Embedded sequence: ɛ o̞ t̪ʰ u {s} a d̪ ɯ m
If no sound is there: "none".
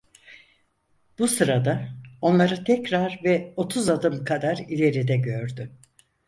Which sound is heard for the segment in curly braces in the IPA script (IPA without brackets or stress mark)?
z